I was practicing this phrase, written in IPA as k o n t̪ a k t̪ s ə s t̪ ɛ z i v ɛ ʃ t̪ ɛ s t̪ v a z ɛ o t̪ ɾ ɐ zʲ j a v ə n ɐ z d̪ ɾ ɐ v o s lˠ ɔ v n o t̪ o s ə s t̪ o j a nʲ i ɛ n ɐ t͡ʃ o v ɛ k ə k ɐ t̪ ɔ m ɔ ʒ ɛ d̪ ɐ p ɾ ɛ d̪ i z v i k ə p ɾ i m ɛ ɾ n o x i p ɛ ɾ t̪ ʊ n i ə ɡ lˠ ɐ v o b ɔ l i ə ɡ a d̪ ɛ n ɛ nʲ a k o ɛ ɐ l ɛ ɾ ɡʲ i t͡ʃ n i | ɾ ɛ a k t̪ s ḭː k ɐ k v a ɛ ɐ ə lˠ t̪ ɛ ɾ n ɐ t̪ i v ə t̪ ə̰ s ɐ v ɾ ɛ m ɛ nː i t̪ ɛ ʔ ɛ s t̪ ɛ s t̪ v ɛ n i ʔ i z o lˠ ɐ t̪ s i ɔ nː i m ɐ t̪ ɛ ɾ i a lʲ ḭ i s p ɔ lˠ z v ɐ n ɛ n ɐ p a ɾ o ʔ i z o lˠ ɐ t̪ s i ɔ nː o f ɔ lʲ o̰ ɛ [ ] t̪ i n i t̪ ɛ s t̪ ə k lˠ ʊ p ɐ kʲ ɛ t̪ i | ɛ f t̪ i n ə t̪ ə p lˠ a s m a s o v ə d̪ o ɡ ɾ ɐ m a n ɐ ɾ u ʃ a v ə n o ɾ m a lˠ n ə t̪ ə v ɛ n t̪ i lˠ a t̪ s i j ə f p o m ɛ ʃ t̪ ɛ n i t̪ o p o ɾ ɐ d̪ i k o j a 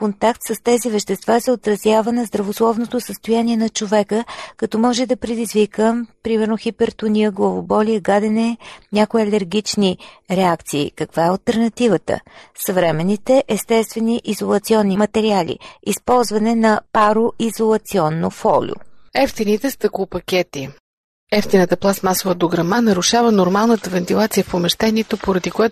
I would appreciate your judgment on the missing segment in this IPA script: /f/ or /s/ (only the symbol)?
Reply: f